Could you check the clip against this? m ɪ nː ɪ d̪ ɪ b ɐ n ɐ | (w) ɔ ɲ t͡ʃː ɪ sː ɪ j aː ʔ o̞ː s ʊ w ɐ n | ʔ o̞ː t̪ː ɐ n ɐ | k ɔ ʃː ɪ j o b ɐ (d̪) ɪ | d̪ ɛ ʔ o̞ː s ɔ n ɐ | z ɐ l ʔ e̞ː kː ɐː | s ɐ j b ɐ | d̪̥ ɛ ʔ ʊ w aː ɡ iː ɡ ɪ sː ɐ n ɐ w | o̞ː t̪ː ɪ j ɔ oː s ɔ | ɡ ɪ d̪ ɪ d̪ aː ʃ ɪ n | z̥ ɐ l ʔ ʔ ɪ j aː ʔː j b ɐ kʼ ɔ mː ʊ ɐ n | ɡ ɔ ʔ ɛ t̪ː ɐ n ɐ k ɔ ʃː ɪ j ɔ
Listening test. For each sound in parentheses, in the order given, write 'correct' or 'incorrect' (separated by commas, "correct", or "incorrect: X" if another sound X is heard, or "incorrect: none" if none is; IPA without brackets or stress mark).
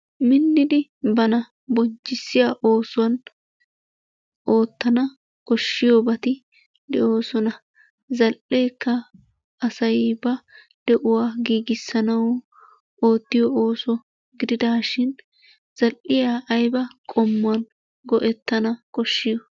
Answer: incorrect: b, incorrect: t̪